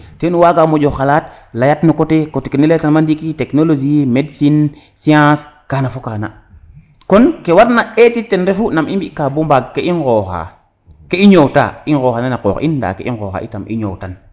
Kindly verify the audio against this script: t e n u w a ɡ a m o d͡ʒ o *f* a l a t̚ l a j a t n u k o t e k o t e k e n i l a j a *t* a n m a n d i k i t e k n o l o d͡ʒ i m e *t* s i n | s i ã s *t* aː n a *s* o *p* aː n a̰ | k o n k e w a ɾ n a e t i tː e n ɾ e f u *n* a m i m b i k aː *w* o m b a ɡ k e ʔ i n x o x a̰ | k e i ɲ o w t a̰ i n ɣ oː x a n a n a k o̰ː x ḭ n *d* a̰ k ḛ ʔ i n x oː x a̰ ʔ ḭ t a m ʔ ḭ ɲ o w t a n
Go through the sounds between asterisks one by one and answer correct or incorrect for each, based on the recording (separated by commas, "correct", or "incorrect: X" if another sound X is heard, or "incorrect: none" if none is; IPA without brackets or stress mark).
incorrect: x, correct, incorrect: d, incorrect: k, incorrect: f, incorrect: k, correct, incorrect: b, correct